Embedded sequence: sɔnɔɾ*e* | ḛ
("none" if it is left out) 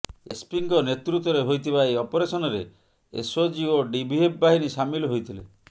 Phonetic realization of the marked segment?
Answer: e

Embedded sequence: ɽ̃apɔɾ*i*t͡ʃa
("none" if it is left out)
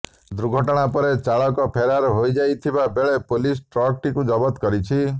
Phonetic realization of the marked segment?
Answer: e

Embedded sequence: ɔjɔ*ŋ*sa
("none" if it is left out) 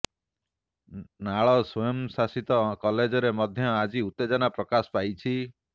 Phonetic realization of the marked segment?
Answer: m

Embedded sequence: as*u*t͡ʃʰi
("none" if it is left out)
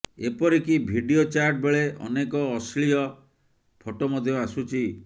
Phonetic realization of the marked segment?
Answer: u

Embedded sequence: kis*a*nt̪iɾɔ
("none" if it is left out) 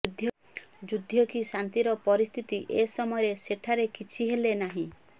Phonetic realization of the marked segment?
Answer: a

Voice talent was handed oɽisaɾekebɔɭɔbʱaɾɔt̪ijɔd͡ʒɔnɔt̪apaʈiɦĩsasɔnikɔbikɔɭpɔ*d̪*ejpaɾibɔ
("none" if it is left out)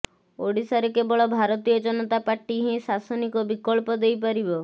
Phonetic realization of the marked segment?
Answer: d̪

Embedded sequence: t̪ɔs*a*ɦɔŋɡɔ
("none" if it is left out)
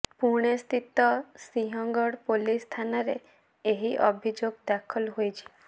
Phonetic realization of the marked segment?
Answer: i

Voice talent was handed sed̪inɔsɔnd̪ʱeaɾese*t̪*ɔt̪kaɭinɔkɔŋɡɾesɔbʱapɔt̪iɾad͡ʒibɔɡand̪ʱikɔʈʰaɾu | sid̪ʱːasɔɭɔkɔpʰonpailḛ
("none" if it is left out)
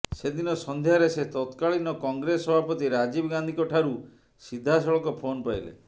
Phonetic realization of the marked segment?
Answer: t̪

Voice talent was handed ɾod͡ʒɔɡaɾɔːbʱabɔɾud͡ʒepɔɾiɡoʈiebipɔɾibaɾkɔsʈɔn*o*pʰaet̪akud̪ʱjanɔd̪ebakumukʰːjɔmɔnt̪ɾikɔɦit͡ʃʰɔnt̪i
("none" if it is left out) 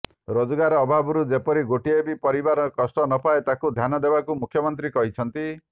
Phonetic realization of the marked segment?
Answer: ɔ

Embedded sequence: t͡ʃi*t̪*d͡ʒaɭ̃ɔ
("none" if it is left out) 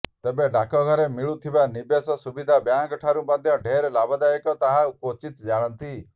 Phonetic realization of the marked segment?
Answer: t̪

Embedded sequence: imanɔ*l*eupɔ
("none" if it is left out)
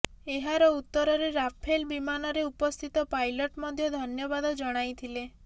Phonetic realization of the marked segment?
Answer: ɾ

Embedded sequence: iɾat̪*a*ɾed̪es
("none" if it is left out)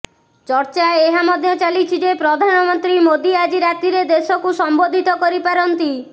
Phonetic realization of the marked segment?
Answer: i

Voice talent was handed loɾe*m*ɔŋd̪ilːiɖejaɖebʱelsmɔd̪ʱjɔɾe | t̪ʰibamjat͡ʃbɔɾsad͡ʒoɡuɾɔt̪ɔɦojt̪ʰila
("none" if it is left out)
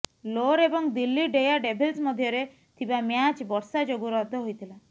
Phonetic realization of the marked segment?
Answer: b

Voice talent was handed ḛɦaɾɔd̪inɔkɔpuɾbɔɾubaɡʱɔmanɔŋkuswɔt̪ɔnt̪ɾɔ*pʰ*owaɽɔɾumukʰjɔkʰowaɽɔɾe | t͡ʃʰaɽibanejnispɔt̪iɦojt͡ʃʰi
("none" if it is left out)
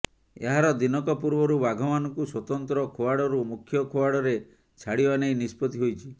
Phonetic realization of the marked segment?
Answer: kʰ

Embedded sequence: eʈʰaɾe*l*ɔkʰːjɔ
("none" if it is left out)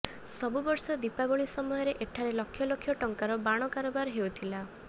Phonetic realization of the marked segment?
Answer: l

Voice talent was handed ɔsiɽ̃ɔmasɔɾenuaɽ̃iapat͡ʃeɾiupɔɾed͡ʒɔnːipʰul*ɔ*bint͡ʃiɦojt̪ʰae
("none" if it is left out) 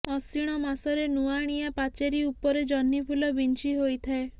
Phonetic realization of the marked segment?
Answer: ɔ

